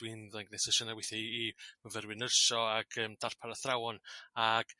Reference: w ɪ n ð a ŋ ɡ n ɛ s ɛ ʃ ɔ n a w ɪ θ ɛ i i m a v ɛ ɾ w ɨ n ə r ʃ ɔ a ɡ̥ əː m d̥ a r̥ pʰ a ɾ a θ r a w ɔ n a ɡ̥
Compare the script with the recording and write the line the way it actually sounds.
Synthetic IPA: w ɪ n ð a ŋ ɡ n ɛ s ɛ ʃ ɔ n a w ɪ θ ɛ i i m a v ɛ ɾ w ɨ n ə r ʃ ɔ a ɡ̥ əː m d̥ a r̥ pʰ a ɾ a θ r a w ɔ n a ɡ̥